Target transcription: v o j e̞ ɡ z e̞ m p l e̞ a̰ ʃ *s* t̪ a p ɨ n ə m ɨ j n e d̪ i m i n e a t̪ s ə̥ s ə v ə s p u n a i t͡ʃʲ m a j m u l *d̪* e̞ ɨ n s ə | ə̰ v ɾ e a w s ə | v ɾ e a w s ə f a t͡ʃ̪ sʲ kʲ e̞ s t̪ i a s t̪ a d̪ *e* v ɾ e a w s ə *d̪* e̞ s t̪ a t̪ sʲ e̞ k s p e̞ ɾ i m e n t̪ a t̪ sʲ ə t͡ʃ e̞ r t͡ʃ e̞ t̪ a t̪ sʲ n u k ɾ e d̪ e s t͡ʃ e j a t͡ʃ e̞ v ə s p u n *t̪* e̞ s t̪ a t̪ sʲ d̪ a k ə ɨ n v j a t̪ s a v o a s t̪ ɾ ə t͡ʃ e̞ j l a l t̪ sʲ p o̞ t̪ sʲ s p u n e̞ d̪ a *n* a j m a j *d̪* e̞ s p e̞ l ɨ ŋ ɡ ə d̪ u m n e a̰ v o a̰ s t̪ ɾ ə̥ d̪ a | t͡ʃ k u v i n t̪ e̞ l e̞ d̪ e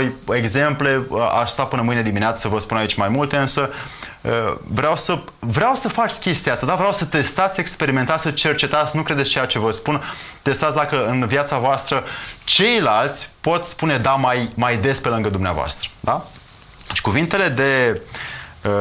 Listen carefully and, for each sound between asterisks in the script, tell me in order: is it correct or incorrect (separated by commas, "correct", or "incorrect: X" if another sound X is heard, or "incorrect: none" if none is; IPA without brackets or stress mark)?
correct, incorrect: t̪, incorrect: a, incorrect: t̪, correct, incorrect: m, correct